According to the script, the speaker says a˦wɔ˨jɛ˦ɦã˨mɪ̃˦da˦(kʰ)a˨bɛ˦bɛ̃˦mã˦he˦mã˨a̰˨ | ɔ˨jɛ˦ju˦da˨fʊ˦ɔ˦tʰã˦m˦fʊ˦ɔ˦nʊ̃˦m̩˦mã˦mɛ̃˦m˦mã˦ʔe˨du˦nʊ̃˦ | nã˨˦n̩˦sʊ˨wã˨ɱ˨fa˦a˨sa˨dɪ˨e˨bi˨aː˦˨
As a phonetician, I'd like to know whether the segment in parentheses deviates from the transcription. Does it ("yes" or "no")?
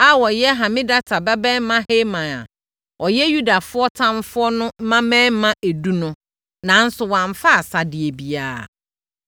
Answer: yes